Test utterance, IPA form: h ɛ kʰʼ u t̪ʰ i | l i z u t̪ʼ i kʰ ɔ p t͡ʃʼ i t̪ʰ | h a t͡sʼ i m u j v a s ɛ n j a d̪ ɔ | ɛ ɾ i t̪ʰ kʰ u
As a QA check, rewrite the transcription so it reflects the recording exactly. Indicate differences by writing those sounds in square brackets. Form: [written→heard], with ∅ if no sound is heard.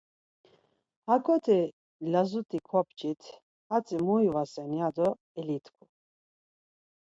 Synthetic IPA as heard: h [ɛ→a] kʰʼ [u→ɔ] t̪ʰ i | l [i→a] z u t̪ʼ i kʰ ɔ p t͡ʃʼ i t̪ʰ | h a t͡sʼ i m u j v a s ɛ n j a d̪ ɔ | ɛ [ɾ→l] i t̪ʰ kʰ u

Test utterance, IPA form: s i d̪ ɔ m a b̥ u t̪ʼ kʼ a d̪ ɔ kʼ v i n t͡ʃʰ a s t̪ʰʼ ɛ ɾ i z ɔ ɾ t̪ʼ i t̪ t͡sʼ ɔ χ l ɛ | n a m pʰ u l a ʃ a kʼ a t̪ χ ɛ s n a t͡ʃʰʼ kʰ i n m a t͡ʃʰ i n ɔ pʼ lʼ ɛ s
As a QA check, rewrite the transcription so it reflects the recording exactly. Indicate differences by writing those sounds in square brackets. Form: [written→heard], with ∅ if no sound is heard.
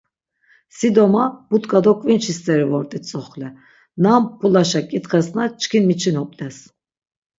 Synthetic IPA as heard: s i d̪ ɔ m a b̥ u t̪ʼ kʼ a d̪ ɔ kʼ v i n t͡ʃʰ [a→i] s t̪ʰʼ ɛ ɾ i [z→v] ɔ ɾ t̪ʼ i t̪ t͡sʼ ɔ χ l ɛ | n a m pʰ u l a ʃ a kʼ [a→i] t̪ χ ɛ s n a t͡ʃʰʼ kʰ i n m [a→i] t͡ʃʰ i n ɔ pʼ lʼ ɛ s

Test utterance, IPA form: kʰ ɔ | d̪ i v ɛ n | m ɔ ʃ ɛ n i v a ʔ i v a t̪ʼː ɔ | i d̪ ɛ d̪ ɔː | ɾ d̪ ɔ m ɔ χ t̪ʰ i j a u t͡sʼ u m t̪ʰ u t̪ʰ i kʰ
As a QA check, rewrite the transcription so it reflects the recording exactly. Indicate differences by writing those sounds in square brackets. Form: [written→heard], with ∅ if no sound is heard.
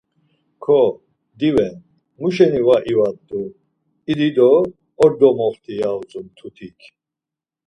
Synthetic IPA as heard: kʰ ɔ | d̪ i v ɛ n | m [ɔ→u] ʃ ɛ n i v a ʔ i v a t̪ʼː [ɔ→u] | i d̪ [ɛ→i] d̪ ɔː | ɾ d̪ ɔ m ɔ χ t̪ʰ i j a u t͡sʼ u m t̪ʰ u t̪ʰ i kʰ

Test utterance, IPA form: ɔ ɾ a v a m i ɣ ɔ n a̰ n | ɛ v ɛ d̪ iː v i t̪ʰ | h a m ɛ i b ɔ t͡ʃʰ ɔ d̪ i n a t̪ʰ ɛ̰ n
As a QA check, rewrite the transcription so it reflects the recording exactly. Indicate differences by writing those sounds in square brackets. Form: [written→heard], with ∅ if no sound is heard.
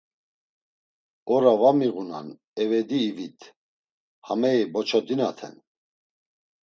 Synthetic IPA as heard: ɔ ɾ a v a m i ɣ [ɔ→u] n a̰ n | ɛ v ɛ d̪ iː v i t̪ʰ | h a m ɛ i b ɔ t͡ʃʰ ɔ d̪ i n a t̪ʰ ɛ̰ n

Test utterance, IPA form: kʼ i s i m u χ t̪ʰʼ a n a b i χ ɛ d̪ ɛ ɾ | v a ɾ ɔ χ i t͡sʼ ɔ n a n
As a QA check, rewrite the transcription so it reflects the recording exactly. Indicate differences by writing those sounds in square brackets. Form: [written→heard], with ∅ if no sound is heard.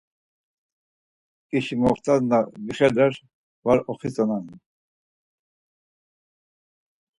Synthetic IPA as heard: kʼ i [s→ʃ] i m [u→ɔ] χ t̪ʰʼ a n a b i χ ɛ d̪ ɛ ɾ | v a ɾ ɔ χ i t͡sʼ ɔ n a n

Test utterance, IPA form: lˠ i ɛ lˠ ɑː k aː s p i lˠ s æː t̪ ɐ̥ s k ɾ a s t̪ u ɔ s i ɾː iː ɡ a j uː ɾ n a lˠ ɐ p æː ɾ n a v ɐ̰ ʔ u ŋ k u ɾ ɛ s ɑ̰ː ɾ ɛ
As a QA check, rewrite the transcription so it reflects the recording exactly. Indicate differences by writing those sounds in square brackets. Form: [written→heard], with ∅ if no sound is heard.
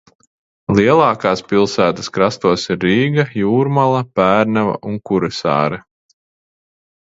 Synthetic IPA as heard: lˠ i ɛ lˠ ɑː k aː s p i lˠ s æː t̪ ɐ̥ s k ɾ a s t̪ u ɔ s i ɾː iː ɡ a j uː ɾ [n→m] a lˠ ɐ p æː ɾ n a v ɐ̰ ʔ u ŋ k u ɾ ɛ s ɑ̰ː ɾ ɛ

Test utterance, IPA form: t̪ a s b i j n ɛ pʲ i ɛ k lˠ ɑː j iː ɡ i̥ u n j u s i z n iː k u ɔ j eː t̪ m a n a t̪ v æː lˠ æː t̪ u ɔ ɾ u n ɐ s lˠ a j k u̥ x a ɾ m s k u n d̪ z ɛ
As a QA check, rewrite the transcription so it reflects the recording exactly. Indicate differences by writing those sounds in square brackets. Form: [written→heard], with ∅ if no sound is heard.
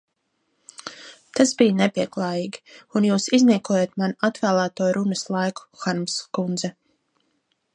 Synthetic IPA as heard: t̪ a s b i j n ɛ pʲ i ɛ k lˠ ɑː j iː ɡ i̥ u n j [u→uː] s i z n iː k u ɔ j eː t̪ m a n a t̪ v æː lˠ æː t̪ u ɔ ɾ u n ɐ s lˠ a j k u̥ x a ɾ m s k u n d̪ z ɛ

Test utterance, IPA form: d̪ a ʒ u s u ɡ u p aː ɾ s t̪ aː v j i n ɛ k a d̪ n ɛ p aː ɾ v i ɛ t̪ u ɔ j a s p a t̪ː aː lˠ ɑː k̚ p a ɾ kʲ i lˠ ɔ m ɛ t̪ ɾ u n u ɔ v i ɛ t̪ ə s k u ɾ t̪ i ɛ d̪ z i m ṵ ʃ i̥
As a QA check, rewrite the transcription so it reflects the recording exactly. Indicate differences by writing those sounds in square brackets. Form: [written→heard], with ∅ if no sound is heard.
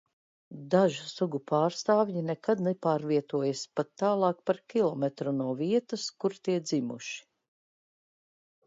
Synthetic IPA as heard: d̪ a ʒ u s u ɡ u p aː ɾ s t̪ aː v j i n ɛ k a d̪ n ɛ p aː ɾ v i ɛ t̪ u ɔ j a s p a t̪ː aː lˠ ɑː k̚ p a ɾ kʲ i lˠ ɔ m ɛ t̪ ɾ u n u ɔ v i ɛ t̪ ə s k u ɾ t̪ i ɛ d̪ z i m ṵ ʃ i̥

